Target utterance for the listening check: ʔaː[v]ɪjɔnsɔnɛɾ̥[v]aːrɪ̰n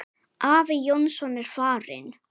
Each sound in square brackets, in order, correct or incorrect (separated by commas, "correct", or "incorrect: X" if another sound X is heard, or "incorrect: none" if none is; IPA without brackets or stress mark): correct, incorrect: f